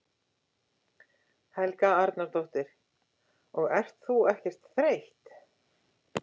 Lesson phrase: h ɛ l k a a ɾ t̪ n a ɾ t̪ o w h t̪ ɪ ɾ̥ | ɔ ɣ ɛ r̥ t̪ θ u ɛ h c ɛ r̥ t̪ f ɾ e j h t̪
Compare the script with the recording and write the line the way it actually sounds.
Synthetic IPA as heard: h ɛ l k a a ɾ t̪ n a ɾ t̪ o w h t̪ ɪ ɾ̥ | ɔ ɣ ɛ r̥ t̪ θ u ɛ h c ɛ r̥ t̪ θ ɾ e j h t̪